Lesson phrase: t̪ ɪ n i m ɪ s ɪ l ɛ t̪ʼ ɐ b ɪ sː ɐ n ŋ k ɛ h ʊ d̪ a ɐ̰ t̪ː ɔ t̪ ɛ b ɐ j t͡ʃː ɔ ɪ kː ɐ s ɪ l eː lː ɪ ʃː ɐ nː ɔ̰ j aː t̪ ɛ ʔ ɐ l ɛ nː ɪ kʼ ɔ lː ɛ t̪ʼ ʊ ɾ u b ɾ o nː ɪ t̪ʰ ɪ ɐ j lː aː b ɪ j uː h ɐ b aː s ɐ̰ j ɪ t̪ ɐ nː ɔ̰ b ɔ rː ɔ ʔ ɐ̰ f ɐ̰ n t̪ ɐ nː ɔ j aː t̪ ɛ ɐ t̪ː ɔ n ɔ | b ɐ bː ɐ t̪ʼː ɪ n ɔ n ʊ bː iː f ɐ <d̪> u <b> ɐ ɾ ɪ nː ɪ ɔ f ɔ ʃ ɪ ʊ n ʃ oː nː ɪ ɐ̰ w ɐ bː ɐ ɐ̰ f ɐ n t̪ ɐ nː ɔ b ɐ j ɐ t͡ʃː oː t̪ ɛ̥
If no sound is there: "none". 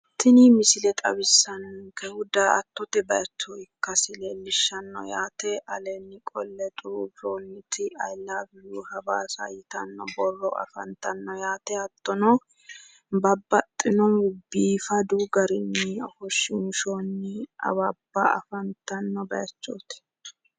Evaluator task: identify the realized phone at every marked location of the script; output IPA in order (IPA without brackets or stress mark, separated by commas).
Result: d̪, ɡ